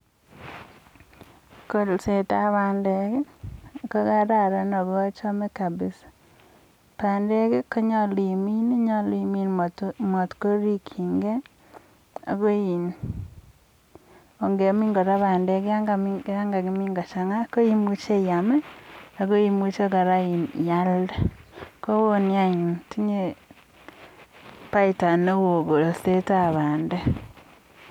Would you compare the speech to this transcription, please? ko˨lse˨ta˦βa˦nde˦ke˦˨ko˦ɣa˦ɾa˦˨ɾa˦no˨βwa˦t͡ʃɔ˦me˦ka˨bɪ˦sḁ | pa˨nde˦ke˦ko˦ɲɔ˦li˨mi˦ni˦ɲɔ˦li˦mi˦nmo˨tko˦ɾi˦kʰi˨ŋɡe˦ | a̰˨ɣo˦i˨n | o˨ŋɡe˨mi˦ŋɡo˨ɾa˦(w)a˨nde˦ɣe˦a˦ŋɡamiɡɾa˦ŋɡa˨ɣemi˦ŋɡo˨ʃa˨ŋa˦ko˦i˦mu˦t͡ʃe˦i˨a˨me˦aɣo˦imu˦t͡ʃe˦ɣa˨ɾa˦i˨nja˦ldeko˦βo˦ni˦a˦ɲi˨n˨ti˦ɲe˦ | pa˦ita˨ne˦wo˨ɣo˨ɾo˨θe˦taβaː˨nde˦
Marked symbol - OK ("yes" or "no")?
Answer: no